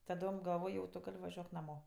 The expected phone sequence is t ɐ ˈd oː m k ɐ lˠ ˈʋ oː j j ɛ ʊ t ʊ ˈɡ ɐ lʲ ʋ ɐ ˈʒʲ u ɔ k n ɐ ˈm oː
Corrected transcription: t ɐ ˈd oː m ɡ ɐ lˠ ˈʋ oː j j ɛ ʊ t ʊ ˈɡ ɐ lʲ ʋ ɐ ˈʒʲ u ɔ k n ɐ ˈm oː